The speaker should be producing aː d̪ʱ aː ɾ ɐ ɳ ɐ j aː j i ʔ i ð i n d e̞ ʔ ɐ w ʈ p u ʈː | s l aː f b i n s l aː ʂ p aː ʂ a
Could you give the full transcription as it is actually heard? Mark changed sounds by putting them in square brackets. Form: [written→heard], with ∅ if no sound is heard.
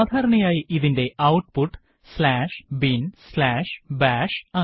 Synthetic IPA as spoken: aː d̪ʱ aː ɾ ɐ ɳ ɐ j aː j i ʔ i ð i n d e̞ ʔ ɐ w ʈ p u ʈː | s l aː [f→ʂ] b i n s l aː ʂ [p→b] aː ʂ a